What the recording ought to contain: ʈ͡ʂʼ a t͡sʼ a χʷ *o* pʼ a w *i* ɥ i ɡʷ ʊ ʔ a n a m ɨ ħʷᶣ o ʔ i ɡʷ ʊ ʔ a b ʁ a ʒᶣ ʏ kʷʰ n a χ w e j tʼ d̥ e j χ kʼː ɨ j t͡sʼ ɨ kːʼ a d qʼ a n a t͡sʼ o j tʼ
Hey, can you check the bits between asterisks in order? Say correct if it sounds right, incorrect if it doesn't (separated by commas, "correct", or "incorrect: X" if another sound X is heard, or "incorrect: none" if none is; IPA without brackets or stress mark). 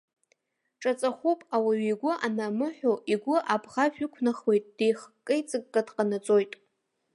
incorrect: u, incorrect: a